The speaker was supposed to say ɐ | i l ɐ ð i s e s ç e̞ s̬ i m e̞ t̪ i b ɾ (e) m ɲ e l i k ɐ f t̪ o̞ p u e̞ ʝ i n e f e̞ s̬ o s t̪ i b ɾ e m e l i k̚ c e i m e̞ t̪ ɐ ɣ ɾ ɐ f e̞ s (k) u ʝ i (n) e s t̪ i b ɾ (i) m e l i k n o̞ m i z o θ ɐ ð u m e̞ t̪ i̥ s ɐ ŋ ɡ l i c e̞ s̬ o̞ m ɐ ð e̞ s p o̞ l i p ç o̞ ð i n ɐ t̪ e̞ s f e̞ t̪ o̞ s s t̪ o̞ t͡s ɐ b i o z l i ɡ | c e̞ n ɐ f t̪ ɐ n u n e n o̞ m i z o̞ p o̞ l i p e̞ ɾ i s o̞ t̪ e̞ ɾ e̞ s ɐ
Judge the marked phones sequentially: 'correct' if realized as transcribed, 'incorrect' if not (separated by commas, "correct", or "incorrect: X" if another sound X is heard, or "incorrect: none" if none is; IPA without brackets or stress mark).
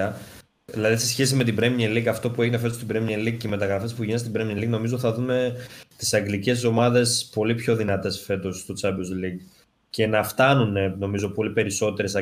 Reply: correct, incorrect: p, correct, incorrect: e